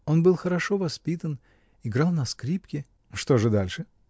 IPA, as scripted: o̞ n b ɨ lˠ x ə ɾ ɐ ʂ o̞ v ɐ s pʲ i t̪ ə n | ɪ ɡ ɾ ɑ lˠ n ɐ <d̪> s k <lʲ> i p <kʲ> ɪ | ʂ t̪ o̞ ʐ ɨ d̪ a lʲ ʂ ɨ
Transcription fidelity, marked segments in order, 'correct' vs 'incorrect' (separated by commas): incorrect, incorrect, correct